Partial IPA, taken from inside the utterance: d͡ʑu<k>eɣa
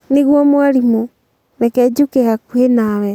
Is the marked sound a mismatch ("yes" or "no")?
no